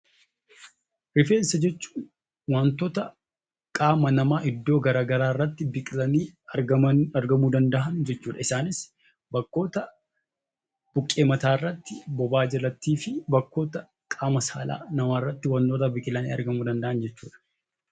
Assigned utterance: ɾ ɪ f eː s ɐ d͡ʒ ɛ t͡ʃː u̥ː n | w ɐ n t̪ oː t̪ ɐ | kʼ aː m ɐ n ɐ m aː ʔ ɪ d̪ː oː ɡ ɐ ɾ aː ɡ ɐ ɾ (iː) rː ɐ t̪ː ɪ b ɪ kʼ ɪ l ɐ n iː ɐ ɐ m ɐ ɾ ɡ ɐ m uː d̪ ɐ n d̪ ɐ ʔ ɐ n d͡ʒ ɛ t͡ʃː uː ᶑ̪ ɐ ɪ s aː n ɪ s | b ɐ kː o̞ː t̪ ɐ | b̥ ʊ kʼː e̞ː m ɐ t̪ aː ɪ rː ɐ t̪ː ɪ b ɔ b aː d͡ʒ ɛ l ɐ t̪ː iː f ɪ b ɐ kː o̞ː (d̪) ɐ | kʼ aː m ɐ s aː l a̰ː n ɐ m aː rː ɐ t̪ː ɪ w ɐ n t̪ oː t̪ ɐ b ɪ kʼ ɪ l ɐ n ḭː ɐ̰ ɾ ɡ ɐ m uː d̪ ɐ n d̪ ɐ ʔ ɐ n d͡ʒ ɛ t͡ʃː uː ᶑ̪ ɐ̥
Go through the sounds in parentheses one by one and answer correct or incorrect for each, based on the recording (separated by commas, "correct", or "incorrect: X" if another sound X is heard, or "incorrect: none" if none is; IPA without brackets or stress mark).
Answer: incorrect: aː, incorrect: t̪